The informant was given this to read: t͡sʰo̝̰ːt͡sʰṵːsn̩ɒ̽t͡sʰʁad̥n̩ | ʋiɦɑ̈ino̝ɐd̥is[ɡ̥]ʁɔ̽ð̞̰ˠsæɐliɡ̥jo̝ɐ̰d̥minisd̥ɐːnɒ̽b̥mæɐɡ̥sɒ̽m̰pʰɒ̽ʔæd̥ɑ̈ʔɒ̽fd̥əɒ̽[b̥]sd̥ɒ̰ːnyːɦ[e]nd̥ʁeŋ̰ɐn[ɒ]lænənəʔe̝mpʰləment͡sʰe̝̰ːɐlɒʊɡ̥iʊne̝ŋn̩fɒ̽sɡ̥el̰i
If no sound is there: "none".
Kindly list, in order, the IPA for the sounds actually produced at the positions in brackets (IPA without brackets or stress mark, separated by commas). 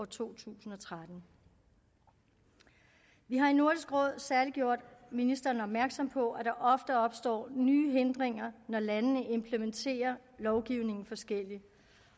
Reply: ɡ̥, b̥, e, ɒ